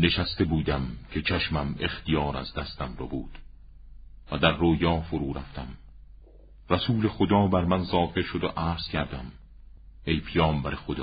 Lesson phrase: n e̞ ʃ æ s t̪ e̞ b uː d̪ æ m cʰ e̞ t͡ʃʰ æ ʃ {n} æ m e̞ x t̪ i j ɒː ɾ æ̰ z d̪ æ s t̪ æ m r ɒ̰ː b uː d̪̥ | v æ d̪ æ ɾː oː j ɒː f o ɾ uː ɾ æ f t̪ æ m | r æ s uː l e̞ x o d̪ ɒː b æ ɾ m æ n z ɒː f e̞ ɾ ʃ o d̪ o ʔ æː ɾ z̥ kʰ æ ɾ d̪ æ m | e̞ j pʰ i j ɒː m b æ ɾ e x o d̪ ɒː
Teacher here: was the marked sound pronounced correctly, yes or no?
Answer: no